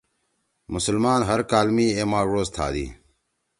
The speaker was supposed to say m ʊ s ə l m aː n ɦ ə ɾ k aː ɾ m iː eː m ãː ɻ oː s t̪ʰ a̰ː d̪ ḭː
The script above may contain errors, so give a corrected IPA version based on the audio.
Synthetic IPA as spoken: m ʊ s ə l m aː n ɦ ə ɾ k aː l m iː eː m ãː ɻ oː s t̪ʰ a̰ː d̪ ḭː